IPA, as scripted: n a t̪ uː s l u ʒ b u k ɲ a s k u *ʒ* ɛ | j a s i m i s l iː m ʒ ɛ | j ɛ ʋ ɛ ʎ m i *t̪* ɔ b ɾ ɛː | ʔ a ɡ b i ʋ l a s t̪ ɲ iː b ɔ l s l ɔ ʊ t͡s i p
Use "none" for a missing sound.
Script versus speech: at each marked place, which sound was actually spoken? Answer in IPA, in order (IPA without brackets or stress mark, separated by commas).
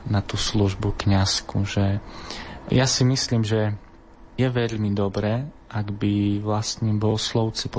ʒ, d̪